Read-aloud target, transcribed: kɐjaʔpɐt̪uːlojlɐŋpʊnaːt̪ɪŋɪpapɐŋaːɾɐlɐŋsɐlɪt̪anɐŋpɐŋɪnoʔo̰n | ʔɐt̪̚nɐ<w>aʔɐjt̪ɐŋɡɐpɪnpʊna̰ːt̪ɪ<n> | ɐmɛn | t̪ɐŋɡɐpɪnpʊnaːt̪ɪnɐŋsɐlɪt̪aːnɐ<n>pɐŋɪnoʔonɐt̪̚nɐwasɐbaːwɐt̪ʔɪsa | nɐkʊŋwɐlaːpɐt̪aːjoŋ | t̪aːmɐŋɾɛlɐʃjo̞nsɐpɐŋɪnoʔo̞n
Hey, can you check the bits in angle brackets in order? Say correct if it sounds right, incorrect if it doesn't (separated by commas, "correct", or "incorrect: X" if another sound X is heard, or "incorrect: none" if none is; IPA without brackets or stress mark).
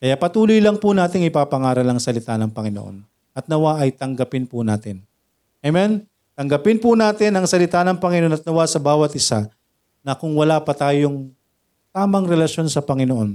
correct, correct, incorrect: ŋ